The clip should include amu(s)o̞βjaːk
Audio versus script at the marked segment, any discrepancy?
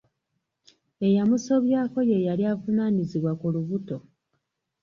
no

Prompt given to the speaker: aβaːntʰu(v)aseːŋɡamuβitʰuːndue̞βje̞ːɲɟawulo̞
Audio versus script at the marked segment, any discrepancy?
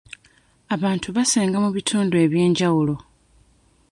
yes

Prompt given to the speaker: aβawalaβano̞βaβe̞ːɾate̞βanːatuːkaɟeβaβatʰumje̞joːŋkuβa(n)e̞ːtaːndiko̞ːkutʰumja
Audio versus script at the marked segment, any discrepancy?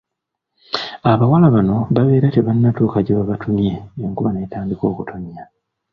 no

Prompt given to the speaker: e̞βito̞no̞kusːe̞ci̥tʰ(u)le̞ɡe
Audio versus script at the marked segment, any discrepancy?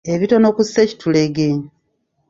no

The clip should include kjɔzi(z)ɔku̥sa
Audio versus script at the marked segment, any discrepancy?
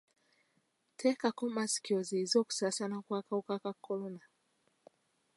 no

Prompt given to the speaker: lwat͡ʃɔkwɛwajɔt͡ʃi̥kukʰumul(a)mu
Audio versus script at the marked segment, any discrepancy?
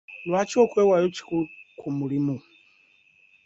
yes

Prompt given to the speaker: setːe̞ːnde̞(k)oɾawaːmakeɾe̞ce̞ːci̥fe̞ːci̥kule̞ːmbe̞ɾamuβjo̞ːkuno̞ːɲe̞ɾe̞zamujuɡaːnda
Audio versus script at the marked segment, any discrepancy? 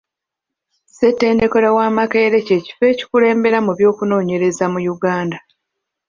no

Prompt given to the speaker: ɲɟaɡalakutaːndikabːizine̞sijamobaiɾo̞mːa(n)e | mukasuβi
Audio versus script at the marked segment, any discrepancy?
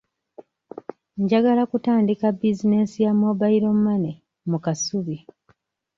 no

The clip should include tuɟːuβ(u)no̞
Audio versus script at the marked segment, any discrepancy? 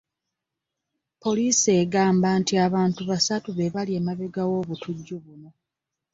no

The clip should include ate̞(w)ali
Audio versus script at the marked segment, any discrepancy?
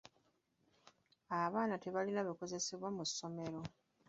yes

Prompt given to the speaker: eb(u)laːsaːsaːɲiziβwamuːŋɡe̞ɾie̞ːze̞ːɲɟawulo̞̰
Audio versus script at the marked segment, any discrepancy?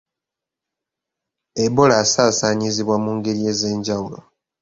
yes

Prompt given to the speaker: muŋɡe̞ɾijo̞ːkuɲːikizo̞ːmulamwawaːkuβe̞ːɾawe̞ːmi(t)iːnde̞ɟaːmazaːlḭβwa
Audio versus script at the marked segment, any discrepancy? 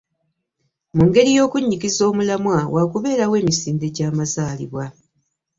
yes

